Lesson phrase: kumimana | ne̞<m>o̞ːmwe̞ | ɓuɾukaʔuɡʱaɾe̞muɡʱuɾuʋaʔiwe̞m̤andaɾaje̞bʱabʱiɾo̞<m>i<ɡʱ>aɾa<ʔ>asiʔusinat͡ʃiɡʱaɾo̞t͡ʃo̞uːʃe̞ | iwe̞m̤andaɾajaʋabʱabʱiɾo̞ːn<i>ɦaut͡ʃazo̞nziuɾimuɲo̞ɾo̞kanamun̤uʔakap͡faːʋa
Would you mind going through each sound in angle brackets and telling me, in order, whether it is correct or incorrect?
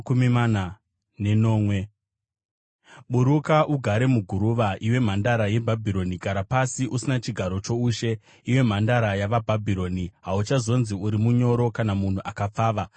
incorrect: n, incorrect: n, correct, incorrect: p, correct

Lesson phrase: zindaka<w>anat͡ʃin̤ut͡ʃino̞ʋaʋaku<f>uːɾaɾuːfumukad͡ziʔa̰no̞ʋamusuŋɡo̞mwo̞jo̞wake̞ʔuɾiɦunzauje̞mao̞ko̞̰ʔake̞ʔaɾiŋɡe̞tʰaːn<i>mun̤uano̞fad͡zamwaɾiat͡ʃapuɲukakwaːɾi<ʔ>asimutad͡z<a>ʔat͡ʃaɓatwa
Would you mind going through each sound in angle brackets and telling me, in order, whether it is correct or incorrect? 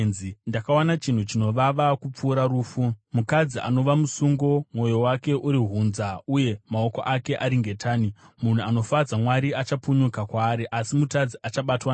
correct, incorrect: p͡f, correct, correct, incorrect: i

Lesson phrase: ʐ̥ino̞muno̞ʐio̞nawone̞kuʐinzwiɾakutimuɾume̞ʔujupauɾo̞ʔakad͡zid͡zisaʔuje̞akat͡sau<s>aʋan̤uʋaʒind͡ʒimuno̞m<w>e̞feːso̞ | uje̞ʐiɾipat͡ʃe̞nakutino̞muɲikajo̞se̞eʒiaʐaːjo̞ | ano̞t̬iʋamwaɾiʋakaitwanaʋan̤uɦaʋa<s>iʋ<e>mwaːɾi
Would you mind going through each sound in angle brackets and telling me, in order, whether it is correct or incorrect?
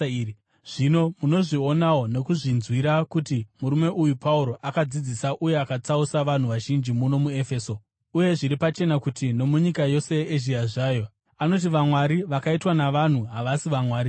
correct, incorrect: u, correct, incorrect: a

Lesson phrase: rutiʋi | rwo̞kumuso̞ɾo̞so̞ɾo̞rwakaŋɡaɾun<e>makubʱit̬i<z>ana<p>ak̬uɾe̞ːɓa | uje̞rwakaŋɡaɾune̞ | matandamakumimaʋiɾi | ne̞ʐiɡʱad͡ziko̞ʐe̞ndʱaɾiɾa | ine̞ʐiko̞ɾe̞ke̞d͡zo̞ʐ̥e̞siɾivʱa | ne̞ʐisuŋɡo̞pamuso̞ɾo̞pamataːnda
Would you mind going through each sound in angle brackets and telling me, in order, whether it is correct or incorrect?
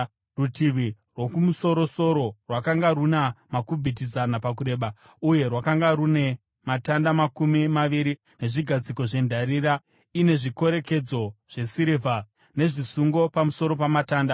incorrect: a, correct, correct

